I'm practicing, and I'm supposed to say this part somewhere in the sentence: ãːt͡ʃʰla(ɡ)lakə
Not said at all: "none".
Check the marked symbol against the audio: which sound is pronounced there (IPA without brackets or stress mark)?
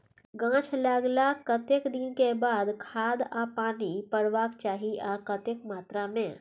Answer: ɡ